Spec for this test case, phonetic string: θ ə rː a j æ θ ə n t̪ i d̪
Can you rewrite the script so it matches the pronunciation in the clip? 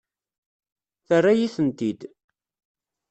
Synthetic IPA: θ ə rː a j i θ ə n t̪ i d̪